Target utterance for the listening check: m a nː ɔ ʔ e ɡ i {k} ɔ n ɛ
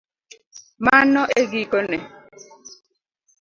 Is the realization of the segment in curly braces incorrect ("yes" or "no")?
no